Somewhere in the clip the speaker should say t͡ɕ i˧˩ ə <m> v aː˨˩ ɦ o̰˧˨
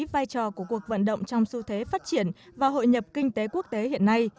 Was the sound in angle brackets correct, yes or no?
no